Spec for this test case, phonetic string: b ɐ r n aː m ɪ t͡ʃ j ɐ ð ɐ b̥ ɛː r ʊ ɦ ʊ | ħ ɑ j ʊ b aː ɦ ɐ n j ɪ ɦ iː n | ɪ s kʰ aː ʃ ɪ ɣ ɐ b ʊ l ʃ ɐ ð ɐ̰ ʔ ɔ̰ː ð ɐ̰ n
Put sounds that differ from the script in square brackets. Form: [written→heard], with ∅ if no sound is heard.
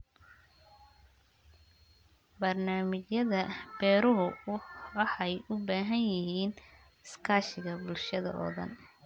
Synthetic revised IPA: b ɐ r n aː m ɪ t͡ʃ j ɐ ð ɐ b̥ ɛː [r→ɾ] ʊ ɦ ʊ | ħ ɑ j ʊ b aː ɦ ɐ n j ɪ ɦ iː n | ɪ s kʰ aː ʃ ɪ ɣ ɐ b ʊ l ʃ ɐ ð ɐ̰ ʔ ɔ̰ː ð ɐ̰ n